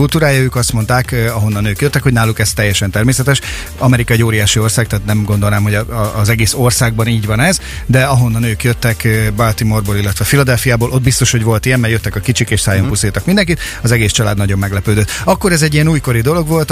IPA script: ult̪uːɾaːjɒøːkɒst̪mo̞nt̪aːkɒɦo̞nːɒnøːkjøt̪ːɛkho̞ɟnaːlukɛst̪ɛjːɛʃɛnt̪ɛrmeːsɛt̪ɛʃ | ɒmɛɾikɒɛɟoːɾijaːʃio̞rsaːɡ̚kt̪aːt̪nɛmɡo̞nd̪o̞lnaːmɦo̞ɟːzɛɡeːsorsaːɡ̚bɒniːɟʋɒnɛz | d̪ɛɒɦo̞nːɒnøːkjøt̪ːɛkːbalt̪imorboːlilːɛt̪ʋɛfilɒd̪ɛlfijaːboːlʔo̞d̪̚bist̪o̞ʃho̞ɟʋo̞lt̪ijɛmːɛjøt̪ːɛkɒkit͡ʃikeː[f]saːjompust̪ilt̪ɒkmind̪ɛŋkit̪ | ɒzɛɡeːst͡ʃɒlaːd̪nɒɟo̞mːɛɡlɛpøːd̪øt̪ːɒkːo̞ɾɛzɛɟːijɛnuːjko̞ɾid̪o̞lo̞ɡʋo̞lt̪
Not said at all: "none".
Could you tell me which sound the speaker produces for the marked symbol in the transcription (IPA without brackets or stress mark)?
ʃ